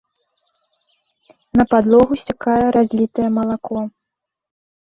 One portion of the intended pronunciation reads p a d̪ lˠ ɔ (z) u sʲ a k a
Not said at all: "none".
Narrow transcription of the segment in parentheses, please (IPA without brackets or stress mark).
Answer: ɣ